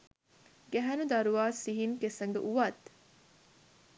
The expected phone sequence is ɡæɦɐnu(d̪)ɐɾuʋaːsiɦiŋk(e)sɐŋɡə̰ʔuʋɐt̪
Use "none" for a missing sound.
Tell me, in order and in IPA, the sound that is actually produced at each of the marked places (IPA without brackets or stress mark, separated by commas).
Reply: d̪, e